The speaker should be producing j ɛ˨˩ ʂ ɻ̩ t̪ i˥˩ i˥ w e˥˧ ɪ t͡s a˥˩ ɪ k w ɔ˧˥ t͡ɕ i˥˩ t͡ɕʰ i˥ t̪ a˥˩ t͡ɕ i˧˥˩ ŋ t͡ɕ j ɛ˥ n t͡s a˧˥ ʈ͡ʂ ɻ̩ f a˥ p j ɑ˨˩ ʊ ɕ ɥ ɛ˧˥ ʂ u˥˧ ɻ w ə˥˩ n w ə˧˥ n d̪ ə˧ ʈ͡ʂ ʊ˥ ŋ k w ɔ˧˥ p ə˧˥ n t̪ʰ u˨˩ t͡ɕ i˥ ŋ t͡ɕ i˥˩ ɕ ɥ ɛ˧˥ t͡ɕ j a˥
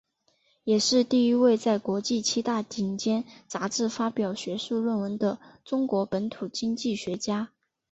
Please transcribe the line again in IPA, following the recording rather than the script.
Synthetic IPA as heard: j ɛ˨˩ ʂ ɻ̩ t̪ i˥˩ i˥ w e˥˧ ɪ t͡s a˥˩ ɪ k w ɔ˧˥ t͡ɕ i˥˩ t͡ɕʰ i˥ t̪ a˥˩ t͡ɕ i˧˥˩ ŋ t͡ɕ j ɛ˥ n t͡s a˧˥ ʈ͡ʂ ɻ̩ f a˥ p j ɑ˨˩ ʊ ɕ ɥ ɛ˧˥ ʂ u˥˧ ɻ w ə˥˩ n w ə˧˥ n d̪ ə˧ ʈ͡ʂ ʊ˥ ŋ k w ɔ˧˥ p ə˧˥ n t̪ʰ u˨˩ t͡ɕ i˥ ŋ t͡ɕ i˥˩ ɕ ɥ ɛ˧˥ t͡ɕ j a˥

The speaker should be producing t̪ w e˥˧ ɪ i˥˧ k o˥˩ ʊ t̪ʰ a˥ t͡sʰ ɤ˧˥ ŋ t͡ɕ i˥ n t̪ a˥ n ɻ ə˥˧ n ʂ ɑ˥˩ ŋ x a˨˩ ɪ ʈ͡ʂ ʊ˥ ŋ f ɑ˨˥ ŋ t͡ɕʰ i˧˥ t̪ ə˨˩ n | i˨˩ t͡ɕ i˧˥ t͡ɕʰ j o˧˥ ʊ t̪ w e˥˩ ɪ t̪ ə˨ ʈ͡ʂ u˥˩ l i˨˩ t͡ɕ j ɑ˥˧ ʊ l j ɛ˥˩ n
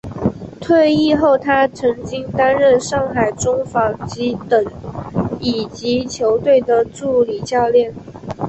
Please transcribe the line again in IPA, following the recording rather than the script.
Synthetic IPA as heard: t̪ʰ w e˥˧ ɪ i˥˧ x o˥˩ ʊ t̪ʰ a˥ t͡sʰ ɤ˧˥ ŋ t͡ɕ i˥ ŋ t̪ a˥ n ɻ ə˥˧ n ʂ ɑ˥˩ ŋ x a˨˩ ɪ ʈ͡ʂ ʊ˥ ŋ f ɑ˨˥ ŋ t͡ɕ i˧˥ t̪ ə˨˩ ŋ | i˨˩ t͡ɕ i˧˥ t͡ɕʰ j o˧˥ ʊ t̪ w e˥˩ ɪ d̪ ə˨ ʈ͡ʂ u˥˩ l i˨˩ t͡ɕ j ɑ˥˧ ʊ l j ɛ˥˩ n

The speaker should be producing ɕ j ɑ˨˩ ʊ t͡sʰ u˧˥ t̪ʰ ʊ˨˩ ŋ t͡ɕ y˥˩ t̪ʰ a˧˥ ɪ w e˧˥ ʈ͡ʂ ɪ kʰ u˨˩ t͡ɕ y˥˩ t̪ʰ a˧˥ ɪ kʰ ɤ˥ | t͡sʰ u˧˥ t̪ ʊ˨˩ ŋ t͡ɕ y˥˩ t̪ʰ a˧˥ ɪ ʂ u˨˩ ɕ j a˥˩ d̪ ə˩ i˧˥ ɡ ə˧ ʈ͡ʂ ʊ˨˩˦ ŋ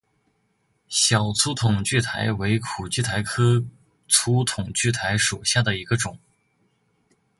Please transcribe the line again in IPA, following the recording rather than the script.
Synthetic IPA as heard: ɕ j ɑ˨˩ ʊ t͡sʰ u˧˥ t̪ʰ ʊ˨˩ ŋ t͡ɕ y˥˩ t̪ʰ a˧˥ ɪ w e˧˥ ɪ kʰ u˨˩ t͡ɕ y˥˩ t̪ʰ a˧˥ ɪ kʰ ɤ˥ | t͡sʰ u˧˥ t̪ʰ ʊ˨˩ ŋ t͡ɕ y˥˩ t̪ʰ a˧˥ ɪ ʂ u˨˩ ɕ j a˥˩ d̪ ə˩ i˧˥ ɡ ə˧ ʈ͡ʂ ʊ˨˩˦ ŋ

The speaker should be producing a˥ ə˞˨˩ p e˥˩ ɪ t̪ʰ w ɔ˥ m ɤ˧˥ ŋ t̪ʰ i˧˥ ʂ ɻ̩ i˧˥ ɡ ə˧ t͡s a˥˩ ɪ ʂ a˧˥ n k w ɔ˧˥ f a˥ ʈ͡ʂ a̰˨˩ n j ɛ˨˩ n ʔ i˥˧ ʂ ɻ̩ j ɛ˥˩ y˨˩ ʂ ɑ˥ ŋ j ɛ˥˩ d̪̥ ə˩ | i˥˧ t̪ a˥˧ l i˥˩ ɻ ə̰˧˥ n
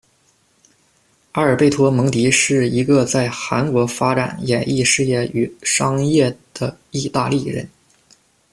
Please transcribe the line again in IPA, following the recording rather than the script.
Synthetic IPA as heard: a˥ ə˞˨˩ p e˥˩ ɪ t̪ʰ w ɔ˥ m ɤ˧˥ ŋ t̪ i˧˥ ʂ ɻ̩ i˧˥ ɡ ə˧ t͡s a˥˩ ɪ x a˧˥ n k w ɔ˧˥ f a˥ ʈ͡ʂ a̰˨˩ n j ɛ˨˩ n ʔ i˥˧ ʂ ɻ̩ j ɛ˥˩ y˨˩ ʂ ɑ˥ ŋ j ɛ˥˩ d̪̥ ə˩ | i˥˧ t̪ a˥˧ l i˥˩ ɻ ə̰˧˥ n

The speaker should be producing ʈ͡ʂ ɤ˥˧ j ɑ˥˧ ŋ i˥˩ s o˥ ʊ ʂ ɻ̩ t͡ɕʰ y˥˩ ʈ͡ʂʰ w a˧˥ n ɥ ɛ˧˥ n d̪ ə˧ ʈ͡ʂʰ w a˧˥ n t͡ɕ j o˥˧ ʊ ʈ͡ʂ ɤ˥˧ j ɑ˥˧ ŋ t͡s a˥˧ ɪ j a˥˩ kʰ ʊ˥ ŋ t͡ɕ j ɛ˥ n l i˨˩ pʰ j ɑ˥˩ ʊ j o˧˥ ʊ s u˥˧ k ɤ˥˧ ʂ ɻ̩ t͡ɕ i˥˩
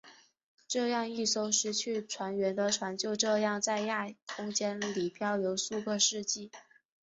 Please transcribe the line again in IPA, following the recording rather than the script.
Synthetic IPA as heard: ʈ͡ʂ ɤ˥˧ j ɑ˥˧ ŋ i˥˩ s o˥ ʊ ʂ ɻ̩ t͡ɕʰ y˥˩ ʈ͡ʂʰ w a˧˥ n ɥ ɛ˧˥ n d̪ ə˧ ʈ͡ʂʰ w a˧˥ n t͡ɕ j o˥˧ ʊ ʈ͡ʂ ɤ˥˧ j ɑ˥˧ ŋ t͡s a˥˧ ɪ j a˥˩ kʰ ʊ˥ ŋ t͡ɕ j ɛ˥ n l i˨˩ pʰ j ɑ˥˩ ʊ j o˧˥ ʊ s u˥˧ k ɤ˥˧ ʂ ɻ̩ t͡ɕ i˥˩

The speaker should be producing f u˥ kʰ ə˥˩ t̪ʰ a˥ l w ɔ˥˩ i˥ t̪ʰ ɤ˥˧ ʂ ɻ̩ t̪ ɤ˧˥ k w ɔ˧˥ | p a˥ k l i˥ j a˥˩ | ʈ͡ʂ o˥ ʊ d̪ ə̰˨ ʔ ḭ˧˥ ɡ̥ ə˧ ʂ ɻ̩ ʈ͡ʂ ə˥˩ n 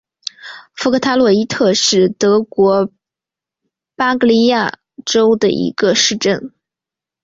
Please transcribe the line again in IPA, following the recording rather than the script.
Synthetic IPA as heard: f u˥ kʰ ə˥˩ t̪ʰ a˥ l w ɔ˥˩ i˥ t̪ʰ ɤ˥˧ ʂ ɻ̩ t̪ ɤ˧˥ k w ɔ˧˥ | p a˥ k l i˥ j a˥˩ | ʈ͡ʂ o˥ ʊ d̪ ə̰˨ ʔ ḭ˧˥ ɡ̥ ə˧ ʂ ɻ̩ ʈ͡ʂ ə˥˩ n

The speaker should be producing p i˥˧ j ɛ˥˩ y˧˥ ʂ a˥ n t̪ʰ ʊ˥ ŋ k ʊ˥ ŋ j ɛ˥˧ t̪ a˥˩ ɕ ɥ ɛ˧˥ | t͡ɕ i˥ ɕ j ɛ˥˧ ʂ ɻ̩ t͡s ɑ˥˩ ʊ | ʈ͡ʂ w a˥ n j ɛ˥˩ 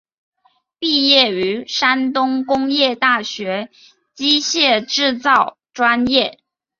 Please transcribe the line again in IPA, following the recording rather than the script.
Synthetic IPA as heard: p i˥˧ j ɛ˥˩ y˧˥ ʂ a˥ n t̪ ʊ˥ ŋ k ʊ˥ ŋ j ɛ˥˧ t̪ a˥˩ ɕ ɥ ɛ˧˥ | t͡ɕ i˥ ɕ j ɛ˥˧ ʈ͡ʂ ɻ̩ t͡s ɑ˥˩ ʊ | ʈ͡ʂ w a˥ n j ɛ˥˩

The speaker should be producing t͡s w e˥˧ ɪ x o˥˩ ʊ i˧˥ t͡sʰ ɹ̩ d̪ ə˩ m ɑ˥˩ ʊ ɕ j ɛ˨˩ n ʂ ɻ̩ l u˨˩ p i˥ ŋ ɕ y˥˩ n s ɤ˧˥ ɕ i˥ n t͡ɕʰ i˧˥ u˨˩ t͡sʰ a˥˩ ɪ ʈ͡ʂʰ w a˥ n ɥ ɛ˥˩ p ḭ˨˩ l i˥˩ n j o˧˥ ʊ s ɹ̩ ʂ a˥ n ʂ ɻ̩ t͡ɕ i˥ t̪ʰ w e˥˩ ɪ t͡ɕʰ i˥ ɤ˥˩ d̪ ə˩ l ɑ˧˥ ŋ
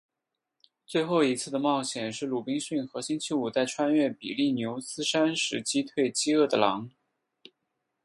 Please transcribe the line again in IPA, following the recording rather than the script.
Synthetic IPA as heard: t͡s w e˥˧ ɪ x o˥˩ ʊ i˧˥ t͡sʰ ɹ̩ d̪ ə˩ m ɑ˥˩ ʊ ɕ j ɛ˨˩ n ʂ ɻ̩ l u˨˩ p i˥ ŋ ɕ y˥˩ n x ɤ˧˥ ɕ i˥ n t͡ɕʰ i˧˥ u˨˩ t͡s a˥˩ ɪ ʈ͡ʂʰ w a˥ n ɥ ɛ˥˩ p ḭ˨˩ l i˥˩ n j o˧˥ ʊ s ɹ̩ ʂ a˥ n ʂ ɻ̩ t͡ɕ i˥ t̪ʰ w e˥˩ ɪ t͡ɕ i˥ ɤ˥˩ d̪ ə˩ l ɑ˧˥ ŋ

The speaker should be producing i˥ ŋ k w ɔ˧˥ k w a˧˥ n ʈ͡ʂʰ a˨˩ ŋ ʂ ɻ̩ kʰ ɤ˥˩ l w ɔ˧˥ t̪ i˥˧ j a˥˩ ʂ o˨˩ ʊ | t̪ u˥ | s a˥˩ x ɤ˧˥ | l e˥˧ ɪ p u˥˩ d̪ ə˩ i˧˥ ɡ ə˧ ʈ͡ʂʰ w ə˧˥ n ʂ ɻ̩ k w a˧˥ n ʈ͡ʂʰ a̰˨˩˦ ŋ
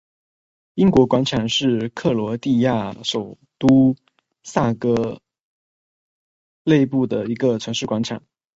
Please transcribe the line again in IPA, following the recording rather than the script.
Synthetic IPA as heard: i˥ ŋ k w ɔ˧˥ k w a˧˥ n ʈ͡ʂʰ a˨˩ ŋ ʂ ɻ̩ kʰ ɤ˥˩ l w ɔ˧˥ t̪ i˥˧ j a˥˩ ʂ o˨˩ ʊ | t̪ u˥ | s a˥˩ k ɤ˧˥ | l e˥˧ ɪ p u˥˩ d̪ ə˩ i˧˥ ɡ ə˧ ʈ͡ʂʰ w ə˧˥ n ʂ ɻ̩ k w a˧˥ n ʈ͡ʂʰ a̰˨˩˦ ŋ

